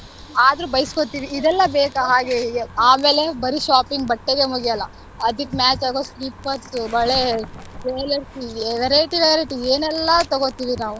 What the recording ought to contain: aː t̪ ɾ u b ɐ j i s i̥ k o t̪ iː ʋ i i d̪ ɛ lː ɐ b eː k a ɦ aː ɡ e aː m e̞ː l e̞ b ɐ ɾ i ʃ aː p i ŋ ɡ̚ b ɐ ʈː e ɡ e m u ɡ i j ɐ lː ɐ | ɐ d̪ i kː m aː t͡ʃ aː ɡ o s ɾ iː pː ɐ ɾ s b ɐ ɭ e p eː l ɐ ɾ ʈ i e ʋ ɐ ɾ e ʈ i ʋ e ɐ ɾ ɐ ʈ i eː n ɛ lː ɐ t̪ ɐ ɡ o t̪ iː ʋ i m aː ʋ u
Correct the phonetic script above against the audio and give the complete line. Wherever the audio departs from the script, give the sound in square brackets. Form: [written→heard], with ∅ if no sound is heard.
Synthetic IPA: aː [t̪→d̪] ɾ u b ɐ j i s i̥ k o t̪ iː ʋ i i d̪ ɛ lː ɐ b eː k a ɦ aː ɡ e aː m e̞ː l e̞ b ɐ ɾ i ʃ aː p i ŋ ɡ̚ b ɐ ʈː e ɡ e m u ɡ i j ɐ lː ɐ | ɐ d̪ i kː m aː t͡ʃ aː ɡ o s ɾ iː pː ɐ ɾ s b ɐ ɭ e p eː l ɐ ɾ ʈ i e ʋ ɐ ɾ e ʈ i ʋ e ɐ ɾ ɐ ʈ i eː n ɛ lː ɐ t̪ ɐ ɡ o t̪ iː ʋ i [m→n] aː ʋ u

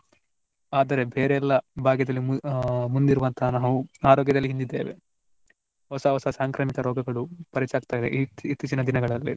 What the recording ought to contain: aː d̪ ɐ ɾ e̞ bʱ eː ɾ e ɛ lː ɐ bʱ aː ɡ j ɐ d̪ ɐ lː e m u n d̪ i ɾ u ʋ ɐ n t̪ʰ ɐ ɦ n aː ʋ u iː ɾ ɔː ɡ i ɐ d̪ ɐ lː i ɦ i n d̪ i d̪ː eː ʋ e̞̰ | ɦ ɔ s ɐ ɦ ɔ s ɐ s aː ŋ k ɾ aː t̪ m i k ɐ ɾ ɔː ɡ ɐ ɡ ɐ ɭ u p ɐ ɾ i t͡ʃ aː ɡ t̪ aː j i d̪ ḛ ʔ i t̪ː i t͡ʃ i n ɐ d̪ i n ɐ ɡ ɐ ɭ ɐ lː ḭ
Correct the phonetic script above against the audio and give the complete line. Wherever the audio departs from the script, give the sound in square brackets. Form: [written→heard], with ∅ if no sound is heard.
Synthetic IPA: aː d̪ ɐ ɾ e̞ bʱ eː ɾ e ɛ lː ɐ bʱ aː ɡ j ɐ d̪ ɐ lː [e→i] m u n d̪ i ɾ u ʋ ɐ n t̪ʰ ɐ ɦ n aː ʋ u [iː→aː] ɾ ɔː ɡ [i→j] ɐ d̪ ɐ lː i ɦ i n d̪ i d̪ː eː ʋ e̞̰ | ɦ ɔ s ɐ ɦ ɔ s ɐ s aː ŋ k ɾ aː [t̪→∅] m i k ɐ ɾ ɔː ɡ ɐ ɡ ɐ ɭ u p ɐ ɾ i t͡ʃ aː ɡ t̪ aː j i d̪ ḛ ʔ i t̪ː i t͡ʃ i n ɐ d̪ i n ɐ ɡ ɐ ɭ ɐ lː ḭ

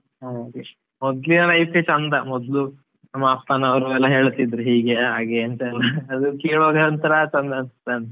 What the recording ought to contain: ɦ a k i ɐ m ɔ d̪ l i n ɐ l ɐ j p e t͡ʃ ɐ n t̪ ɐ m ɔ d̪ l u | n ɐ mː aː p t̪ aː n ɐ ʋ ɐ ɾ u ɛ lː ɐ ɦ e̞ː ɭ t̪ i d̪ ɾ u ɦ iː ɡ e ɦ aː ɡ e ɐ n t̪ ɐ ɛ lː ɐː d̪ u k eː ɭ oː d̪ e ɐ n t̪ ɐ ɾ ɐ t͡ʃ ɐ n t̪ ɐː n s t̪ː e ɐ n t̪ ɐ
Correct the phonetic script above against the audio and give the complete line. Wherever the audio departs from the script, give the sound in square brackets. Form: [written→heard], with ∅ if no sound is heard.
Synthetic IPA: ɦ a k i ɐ m ɔ d̪ l i n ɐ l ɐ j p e t͡ʃ ɐ n [t̪→d̪] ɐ m ɔ d̪ l u | n ɐ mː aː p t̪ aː n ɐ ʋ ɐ ɾ u ɛ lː ɐ ɦ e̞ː ɭ t̪ i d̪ ɾ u ɦ iː ɡ e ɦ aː ɡ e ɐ n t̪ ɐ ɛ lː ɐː d̪ u k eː ɭ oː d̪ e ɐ n t̪ ɐ ɾ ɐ t͡ʃ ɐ n [t̪→d̪] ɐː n s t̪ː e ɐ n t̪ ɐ

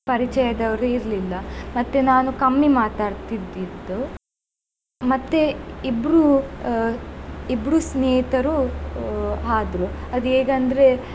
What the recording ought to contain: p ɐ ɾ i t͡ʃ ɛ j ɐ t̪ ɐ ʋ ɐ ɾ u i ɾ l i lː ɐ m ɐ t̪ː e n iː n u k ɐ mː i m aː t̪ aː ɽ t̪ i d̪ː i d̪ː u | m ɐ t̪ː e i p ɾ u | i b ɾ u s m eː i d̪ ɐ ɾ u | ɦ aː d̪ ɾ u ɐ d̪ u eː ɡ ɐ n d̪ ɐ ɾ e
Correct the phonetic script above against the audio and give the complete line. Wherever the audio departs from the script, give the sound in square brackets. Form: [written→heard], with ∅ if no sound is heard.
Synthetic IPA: p ɐ ɾ i t͡ʃ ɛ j ɐ [t̪→d̪] ɐ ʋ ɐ ɾ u i ɾ l i lː ɐ m ɐ t̪ː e n [iː→aː] n u k ɐ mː i m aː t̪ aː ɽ t̪ i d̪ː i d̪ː u | m ɐ t̪ː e i [p→b] ɾ u | i b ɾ u s [m→n] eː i [d̪→t̪] ɐ ɾ u | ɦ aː d̪ ɾ u ɐ d̪ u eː ɡ ɐ n d̪ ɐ ɾ e

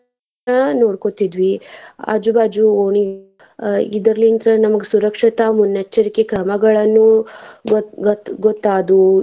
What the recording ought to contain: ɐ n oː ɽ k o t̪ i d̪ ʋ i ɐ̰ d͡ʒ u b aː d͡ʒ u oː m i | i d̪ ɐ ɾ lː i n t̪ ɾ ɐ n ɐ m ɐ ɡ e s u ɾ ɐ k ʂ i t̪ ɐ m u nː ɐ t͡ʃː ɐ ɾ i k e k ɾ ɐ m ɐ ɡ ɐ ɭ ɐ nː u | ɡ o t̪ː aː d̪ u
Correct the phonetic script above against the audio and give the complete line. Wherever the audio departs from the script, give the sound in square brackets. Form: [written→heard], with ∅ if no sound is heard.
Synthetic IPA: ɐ n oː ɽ k o t̪ i d̪ ʋ i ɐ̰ d͡ʒ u b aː d͡ʒ u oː [m→ɳ] i | i d̪ ɐ ɾ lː i n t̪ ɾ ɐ n ɐ m ɐ ɡ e s u ɾ ɐ k ʂ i t̪ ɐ m u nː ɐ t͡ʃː ɐ ɾ i k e k ɾ ɐ m ɐ ɡ ɐ ɭ ɐ nː u | ɡ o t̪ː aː d̪ u

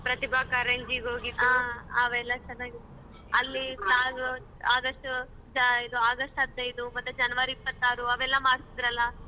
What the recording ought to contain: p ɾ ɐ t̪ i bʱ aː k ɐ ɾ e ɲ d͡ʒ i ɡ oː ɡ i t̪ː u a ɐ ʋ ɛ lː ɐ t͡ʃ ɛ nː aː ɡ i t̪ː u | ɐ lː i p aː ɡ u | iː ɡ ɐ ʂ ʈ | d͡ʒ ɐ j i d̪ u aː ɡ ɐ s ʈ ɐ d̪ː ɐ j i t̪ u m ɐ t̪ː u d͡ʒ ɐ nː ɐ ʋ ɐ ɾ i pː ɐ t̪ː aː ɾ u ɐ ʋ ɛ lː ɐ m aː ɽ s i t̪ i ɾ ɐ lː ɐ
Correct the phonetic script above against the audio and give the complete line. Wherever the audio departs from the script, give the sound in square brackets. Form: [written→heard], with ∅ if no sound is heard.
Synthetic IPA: p ɾ ɐ t̪ i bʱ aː k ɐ ɾ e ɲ d͡ʒ i ɡ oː ɡ i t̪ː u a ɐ ʋ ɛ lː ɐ t͡ʃ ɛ nː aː ɡ i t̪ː u | ɐ lː i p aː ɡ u | [iː→aː] ɡ ɐ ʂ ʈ | d͡ʒ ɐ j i d̪ u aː ɡ ɐ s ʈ ɐ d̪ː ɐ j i [t̪→d̪] u m ɐ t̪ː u d͡ʒ ɐ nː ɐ ʋ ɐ ɾ i pː ɐ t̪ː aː ɾ u ɐ ʋ ɛ lː ɐ m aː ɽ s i [t̪→d̪] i ɾ ɐ lː ɐ

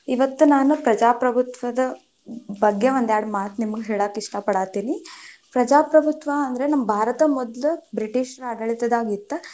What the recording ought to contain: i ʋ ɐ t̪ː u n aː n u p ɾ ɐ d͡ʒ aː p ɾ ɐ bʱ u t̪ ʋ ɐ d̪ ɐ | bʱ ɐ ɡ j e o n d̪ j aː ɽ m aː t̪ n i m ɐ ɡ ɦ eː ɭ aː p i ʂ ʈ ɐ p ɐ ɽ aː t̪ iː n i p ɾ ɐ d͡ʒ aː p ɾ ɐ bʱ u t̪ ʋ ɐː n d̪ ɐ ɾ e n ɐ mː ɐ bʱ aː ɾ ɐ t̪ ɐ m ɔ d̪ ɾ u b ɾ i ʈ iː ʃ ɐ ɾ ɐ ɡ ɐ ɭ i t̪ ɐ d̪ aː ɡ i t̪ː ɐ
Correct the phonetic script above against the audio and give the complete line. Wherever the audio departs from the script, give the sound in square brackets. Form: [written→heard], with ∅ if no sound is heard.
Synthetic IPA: i ʋ ɐ t̪ː u n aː n u p ɾ ɐ d͡ʒ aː p ɾ ɐ bʱ u t̪ ʋ ɐ d̪ ɐ | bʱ ɐ ɡ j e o n d̪ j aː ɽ m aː t̪ n i m ɐ ɡ ɦ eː ɭ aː [p→k] i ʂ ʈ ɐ p ɐ ɽ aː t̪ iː n i p ɾ ɐ d͡ʒ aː p ɾ ɐ bʱ u t̪ ʋ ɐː n d̪ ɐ ɾ e n ɐ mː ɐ bʱ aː ɾ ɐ t̪ ɐ m ɔ d̪ [ɾ→l] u b ɾ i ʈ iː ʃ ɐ ɾ ɐ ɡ ɐ ɭ i t̪ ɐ d̪ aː ɡ i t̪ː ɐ

